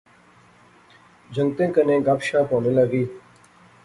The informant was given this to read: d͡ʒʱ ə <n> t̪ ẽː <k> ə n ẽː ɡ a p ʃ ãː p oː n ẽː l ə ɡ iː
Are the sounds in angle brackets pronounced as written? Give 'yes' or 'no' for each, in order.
no, yes

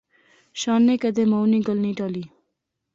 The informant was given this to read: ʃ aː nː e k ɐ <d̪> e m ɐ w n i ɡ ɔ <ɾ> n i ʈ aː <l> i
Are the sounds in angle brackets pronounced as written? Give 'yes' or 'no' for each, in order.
yes, no, yes

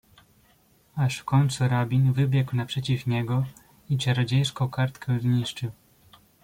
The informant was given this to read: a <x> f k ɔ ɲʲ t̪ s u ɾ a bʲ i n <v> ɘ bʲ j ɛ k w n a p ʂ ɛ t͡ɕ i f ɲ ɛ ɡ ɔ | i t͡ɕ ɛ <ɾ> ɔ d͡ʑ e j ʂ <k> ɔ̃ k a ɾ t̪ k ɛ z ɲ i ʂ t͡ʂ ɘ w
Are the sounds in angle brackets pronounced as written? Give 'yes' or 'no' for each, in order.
no, yes, yes, yes

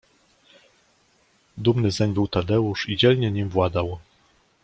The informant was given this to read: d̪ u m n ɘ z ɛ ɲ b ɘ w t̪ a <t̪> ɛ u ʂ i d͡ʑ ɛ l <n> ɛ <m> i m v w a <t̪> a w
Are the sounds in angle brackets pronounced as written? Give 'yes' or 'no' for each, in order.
no, no, no, no

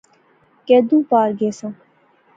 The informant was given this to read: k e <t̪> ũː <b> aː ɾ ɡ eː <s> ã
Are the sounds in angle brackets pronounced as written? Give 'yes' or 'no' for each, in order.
no, no, yes

